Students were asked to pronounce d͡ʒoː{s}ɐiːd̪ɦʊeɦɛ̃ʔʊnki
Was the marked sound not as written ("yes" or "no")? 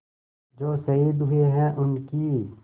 no